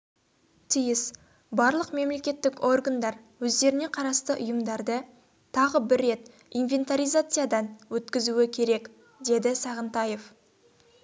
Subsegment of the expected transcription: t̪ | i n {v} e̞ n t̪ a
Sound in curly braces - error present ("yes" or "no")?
no